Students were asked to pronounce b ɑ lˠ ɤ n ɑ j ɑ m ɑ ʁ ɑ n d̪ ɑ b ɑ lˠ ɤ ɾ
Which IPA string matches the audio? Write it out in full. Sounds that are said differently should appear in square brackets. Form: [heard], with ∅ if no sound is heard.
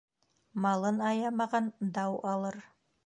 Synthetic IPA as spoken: [m] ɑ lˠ ɤ n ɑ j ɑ m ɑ ʁ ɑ n d̪ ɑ [w] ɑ lˠ ɤ ɾ